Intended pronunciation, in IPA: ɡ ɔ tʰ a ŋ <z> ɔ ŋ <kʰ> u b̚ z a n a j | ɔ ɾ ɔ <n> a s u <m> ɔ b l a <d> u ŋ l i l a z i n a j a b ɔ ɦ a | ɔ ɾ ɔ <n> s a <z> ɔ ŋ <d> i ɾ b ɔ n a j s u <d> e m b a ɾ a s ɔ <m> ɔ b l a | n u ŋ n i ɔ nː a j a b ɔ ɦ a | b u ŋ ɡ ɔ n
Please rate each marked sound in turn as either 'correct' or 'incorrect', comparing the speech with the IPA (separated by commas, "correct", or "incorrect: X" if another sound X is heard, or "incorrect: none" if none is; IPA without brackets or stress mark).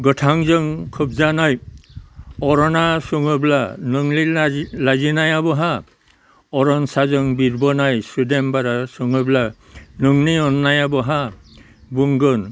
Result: correct, correct, correct, incorrect: ŋ, incorrect: n, correct, correct, incorrect: b, correct, incorrect: ŋ